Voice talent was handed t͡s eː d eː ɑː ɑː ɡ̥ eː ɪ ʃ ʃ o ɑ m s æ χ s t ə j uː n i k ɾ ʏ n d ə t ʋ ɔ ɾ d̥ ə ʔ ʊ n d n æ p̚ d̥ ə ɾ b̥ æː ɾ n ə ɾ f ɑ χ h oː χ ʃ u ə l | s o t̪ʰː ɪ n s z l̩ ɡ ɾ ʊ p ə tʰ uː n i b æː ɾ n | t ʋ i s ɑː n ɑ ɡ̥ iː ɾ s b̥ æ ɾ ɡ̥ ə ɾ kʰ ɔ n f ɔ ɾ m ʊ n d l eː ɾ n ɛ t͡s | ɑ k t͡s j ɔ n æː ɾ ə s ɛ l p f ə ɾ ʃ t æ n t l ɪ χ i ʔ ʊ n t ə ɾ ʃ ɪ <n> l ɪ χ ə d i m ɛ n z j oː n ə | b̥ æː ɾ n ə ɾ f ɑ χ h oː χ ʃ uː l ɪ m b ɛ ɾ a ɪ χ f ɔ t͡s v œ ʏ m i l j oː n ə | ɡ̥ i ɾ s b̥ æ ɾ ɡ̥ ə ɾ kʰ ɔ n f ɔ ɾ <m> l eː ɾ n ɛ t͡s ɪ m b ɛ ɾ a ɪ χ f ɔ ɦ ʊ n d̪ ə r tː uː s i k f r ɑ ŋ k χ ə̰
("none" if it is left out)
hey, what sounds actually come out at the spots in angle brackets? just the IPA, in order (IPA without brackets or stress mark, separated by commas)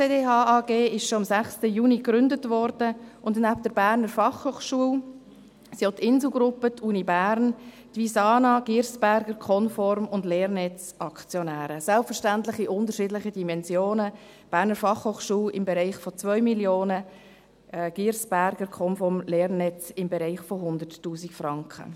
d, m